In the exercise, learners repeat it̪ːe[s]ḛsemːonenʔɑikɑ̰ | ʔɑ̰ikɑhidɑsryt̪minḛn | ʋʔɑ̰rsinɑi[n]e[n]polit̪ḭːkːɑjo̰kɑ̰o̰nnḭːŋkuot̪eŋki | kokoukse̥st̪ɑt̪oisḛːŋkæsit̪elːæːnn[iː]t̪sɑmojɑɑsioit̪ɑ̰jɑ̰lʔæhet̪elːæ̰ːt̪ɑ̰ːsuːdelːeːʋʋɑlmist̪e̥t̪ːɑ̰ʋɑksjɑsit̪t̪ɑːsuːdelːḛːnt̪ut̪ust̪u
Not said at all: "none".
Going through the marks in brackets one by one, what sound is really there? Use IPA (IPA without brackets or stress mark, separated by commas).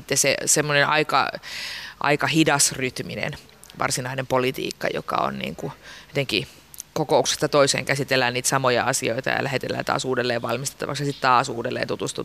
s, n, m, iː